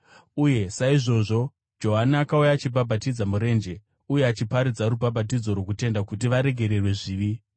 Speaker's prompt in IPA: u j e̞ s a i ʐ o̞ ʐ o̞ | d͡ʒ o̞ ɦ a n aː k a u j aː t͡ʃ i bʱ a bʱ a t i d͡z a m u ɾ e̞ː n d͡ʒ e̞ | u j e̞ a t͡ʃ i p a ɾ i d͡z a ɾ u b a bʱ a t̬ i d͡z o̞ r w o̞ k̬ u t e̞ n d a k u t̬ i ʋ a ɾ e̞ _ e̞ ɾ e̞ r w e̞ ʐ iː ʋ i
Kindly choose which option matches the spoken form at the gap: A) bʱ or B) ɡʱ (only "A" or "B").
B